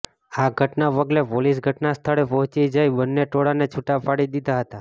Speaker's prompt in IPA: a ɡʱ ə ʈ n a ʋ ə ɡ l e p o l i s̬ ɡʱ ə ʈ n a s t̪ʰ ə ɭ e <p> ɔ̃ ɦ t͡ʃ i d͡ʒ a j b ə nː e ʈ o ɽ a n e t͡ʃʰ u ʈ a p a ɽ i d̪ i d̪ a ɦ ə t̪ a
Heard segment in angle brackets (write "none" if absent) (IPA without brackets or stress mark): p